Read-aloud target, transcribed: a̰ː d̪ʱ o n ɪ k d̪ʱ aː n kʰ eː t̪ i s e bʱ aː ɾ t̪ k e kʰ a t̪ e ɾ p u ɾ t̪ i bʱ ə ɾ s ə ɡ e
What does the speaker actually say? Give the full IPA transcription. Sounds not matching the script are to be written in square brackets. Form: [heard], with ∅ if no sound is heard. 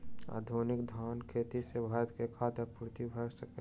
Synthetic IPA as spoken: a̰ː d̪ʱ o n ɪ k d̪ʱ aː n kʰ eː t̪ i s e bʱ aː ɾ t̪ k e kʰ a t̪ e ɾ p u ɾ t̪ i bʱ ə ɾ s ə [k] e